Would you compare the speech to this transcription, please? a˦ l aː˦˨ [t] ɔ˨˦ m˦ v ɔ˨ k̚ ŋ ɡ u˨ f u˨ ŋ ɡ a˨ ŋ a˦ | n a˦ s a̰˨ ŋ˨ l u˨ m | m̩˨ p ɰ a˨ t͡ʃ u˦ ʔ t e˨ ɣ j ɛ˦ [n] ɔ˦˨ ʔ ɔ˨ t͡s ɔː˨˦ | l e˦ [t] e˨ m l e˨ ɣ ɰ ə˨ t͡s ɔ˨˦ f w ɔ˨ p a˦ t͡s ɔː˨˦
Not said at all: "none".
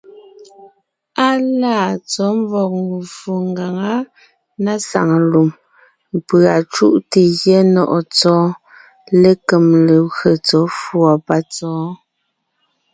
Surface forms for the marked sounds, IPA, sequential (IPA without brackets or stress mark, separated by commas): t͡s, n, k